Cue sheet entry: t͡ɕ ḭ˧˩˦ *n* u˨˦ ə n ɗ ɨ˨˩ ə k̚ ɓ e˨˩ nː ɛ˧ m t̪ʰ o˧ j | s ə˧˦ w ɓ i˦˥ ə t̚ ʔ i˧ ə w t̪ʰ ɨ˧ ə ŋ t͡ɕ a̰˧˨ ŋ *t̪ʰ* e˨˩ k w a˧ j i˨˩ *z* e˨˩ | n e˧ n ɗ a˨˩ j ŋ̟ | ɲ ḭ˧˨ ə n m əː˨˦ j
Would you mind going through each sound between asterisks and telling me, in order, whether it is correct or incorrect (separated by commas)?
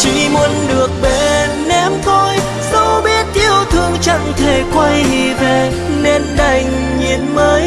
incorrect, correct, incorrect